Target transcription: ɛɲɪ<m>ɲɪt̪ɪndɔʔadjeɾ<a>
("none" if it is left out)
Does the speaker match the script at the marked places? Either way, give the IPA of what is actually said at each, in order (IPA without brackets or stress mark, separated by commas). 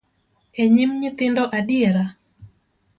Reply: m, a